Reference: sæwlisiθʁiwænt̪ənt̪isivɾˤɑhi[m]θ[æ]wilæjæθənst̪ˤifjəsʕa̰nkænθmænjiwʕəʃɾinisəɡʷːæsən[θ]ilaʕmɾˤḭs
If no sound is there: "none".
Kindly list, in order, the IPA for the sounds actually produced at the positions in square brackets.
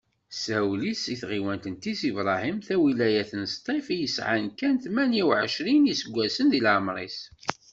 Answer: m, æ, ð

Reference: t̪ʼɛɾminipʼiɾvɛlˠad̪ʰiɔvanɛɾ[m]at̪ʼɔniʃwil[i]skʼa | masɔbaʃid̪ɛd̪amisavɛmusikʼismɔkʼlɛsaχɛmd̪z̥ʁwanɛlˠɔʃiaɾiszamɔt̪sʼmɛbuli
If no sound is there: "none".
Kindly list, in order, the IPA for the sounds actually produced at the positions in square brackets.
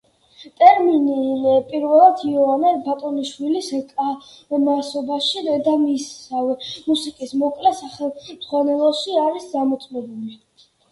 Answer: b, i

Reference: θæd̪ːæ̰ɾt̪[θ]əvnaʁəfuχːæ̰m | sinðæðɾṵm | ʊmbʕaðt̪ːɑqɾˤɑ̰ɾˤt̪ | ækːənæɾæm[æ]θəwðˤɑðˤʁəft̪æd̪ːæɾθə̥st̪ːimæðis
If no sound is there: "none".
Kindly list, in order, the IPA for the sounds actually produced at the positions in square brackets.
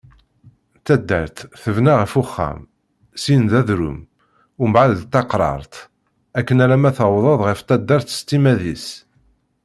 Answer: θ, æ

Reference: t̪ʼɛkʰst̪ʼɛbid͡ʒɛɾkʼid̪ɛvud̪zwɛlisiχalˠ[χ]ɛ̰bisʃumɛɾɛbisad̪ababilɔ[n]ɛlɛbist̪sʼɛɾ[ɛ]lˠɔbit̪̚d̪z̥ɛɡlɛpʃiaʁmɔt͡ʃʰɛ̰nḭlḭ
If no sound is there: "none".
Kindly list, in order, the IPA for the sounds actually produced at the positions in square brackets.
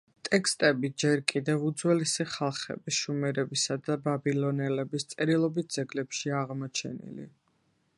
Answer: χ, n, i

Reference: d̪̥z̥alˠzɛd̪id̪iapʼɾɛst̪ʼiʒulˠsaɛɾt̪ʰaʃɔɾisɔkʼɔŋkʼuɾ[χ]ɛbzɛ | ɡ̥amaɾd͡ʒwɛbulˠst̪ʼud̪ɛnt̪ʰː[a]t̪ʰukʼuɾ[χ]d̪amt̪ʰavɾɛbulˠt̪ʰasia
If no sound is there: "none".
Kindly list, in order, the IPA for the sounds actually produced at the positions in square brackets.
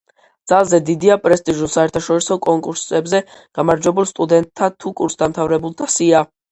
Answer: s, a, s

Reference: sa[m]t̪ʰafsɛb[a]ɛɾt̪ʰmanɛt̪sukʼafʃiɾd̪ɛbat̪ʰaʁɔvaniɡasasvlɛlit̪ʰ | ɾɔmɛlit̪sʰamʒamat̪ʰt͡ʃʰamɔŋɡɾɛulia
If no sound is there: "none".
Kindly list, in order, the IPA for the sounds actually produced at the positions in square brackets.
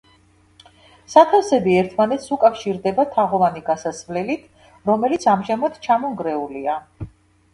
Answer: none, i

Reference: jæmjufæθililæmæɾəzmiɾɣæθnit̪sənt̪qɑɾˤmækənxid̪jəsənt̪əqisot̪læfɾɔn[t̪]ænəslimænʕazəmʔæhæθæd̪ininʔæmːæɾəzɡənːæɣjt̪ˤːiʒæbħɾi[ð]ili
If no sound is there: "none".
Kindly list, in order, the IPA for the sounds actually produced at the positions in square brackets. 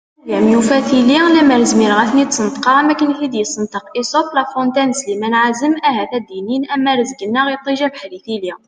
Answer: t̪, θ

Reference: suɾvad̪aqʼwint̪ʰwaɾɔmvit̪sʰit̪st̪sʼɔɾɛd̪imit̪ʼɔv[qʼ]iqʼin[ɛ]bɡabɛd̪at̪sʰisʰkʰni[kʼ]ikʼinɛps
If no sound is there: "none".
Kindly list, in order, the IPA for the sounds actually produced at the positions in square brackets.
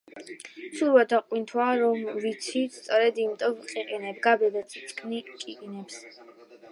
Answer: qʼ, ɛ, kʼ

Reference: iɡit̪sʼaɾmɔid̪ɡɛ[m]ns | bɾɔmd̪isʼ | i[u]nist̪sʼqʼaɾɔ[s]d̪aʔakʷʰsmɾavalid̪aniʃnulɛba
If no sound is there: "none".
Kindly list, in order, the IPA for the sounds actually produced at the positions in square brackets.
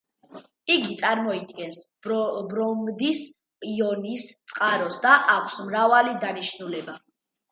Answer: none, ɔ, s

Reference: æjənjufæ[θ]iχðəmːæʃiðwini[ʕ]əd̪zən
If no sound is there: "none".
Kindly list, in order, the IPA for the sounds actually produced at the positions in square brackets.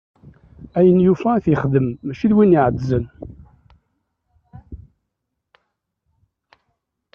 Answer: θ, ʕ

